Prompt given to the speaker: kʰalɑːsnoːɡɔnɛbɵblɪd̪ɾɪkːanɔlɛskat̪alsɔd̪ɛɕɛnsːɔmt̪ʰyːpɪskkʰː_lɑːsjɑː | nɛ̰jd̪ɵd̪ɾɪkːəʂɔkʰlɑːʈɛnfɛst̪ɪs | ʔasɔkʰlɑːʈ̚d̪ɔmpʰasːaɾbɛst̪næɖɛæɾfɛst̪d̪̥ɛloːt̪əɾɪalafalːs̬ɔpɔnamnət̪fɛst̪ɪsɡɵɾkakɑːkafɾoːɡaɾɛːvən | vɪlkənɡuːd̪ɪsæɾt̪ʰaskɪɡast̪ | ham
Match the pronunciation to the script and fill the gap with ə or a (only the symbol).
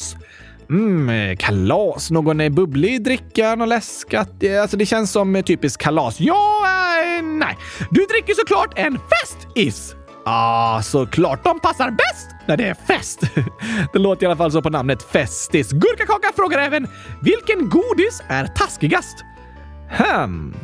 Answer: a